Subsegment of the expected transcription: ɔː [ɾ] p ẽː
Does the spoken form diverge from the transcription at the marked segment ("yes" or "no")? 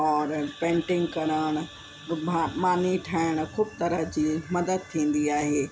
no